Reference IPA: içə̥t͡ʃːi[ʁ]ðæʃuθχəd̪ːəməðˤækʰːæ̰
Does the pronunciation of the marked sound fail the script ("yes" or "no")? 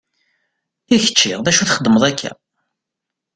no